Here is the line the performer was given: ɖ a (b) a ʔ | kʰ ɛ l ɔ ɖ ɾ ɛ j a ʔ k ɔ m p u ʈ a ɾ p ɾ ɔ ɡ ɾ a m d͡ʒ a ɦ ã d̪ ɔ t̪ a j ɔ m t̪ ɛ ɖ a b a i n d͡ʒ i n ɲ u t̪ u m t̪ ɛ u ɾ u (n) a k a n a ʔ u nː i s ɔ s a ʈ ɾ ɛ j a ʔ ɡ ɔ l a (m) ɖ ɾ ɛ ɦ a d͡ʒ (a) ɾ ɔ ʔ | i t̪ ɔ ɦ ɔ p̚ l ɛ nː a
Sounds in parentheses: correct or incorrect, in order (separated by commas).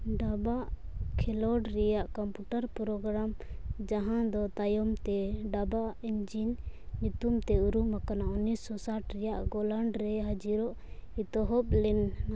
correct, incorrect, incorrect, incorrect